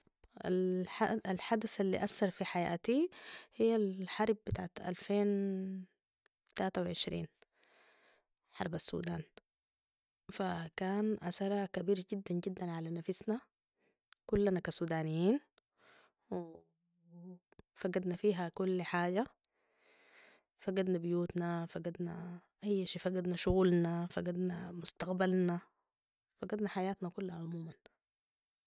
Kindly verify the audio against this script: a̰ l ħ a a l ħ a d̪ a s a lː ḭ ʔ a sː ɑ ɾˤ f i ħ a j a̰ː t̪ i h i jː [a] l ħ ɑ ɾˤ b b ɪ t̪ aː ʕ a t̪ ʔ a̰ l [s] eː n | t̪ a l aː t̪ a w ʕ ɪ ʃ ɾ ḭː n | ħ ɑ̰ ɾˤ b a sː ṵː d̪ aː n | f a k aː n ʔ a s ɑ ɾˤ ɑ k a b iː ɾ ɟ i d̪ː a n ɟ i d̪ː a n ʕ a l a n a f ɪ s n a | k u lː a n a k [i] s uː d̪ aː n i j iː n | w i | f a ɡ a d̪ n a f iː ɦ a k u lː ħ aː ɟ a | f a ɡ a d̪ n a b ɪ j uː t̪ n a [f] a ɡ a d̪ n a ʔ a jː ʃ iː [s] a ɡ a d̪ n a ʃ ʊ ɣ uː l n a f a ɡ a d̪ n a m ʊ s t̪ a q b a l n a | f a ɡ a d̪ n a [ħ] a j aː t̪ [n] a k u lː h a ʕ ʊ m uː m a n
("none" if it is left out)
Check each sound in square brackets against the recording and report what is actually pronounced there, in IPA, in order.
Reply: a, f, a, f, f, ħ, n

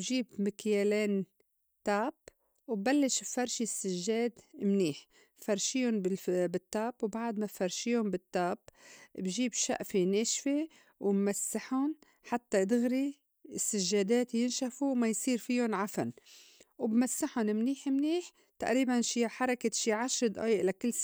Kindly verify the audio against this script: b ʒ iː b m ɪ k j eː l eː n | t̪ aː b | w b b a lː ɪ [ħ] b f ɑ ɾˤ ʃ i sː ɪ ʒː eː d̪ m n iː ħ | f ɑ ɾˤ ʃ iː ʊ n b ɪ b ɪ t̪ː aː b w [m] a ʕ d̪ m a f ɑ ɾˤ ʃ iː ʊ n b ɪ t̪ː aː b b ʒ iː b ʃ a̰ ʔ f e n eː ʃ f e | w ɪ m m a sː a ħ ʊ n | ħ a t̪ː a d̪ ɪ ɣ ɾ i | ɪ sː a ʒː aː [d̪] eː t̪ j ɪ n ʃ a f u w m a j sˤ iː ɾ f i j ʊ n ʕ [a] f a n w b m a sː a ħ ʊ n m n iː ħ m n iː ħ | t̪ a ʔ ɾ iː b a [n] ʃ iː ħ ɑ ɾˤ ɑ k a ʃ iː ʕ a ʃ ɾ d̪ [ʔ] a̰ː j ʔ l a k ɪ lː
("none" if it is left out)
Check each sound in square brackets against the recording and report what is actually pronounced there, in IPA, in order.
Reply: ʃ, b, d̪, a, n, ʔ

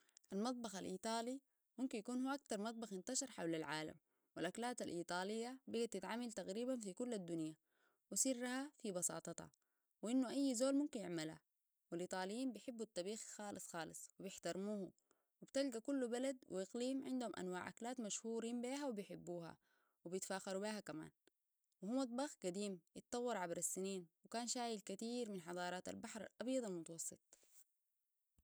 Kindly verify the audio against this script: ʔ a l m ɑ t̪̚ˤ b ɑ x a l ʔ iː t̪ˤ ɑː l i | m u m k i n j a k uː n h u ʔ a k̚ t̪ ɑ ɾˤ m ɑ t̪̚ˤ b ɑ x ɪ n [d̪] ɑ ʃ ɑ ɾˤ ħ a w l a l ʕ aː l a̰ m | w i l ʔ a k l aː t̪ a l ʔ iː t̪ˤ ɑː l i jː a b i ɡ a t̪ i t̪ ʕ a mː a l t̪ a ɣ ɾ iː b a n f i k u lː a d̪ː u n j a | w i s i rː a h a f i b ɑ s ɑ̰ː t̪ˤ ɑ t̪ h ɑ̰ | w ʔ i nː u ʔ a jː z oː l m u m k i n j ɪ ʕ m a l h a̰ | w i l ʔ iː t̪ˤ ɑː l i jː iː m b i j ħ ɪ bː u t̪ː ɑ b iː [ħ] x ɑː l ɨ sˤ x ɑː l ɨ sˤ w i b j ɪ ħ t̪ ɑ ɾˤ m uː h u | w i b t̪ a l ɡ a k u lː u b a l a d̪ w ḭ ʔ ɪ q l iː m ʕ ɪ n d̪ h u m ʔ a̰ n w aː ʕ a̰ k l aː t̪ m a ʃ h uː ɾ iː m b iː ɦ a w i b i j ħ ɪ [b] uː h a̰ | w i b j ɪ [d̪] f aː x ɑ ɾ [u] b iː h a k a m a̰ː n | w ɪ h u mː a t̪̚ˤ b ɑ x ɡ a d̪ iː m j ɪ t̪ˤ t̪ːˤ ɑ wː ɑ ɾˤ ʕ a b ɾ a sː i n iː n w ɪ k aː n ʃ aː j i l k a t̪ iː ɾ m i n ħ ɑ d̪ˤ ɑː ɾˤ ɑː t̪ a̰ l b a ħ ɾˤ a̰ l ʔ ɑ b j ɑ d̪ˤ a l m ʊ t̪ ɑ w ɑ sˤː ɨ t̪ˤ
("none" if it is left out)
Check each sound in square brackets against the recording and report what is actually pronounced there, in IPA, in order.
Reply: t̪, x, bː, t̪, u

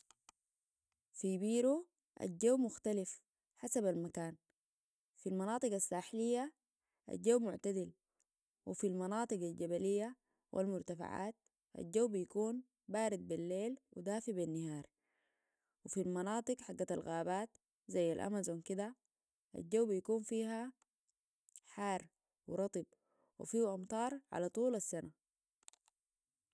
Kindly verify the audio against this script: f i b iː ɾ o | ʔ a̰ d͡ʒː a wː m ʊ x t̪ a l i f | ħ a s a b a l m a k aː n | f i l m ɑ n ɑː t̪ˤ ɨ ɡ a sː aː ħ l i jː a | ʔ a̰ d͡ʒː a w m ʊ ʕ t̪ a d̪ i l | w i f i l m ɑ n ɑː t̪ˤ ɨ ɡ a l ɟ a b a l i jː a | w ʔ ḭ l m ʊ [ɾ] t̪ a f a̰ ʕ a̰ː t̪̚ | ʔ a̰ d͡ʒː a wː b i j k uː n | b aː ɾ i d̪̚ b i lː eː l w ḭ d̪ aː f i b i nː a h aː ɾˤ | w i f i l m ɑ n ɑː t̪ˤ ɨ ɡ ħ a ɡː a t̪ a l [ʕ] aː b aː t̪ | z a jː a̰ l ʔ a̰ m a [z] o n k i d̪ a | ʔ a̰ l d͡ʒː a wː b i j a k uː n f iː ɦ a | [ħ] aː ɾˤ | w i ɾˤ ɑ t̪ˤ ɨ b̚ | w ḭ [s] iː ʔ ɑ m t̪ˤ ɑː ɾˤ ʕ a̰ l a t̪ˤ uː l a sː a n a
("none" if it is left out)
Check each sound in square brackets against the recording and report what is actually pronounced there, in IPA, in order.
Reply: ɾ, ɣ, z, ħ, f

